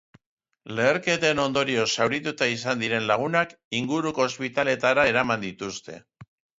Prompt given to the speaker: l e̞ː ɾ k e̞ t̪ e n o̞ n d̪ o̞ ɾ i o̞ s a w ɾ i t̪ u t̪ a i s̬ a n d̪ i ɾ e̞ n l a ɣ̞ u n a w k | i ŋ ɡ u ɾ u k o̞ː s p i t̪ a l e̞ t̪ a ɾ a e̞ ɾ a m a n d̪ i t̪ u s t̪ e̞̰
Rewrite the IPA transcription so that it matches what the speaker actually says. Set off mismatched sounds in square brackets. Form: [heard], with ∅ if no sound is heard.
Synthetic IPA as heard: l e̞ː ɾ k e̞ t̪ e n o̞ n d̪ o̞ ɾ i o̞ s a w ɾ i t̪ u t̪ a i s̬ a n d̪ i ɾ e̞ n l a ɣ̞ u n a [∅] k | i ŋ ɡ u ɾ u k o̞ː s p i t̪ a l e̞ t̪ a ɾ a e̞ ɾ a m a n d̪ i t̪ u s t̪ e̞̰